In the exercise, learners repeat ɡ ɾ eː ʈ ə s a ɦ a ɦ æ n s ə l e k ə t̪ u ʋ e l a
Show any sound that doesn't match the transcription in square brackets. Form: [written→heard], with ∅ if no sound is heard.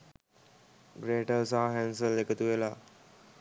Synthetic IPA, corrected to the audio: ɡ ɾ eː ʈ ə s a ɦ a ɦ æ n s ə l e k ə t̪ u ʋ e l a